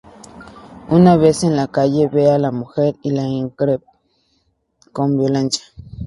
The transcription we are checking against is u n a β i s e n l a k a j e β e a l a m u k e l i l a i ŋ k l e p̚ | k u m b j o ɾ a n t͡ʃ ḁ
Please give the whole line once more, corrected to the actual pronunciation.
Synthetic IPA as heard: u n a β e s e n l a k a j e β e a l a m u x e ɾ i l a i ŋ k ɾ e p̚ | k o m b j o l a n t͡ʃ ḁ